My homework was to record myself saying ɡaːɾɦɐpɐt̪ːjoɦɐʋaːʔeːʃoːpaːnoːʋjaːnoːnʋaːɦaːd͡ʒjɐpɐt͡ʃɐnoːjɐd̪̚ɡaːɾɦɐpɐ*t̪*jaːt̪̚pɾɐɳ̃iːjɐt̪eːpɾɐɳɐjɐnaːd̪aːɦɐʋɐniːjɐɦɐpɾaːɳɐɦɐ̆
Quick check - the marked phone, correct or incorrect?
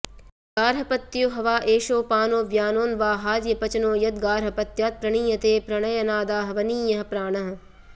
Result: correct